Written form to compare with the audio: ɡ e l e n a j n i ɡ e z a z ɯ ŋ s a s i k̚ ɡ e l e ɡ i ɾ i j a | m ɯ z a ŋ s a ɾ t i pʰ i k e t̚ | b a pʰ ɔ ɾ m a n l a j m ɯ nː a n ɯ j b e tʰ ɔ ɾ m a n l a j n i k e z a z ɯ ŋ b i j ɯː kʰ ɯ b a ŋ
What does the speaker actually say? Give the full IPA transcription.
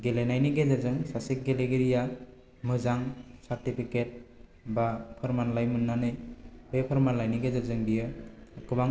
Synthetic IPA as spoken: ɡ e l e n a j n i ɡ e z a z ɯ ŋ s a s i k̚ ɡ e l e ɡ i ɾ i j a | m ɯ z a ŋ s a ɾ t i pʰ i k e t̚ | b a pʰ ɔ ɾ m a n l a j m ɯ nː a n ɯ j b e pʰ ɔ ɾ m a n l a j n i ɡ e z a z ɯ ŋ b i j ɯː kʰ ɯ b a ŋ